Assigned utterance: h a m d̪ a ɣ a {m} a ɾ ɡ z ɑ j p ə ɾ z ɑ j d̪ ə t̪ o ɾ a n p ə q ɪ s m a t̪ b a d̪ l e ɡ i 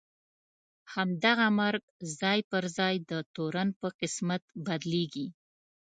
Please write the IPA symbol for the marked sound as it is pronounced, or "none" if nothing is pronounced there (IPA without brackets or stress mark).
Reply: m